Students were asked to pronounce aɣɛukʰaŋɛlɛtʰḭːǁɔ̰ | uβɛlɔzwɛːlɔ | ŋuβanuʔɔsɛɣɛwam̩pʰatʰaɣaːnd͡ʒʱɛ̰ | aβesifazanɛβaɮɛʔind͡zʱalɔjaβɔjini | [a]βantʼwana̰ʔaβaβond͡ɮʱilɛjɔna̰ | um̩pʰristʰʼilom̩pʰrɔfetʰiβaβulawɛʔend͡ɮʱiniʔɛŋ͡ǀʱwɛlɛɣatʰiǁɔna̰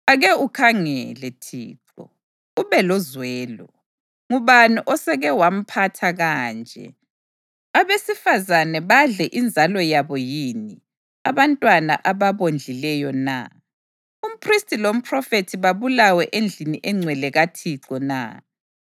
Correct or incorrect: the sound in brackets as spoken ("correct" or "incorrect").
correct